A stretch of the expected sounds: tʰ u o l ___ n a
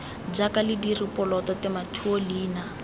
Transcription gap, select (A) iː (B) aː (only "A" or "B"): A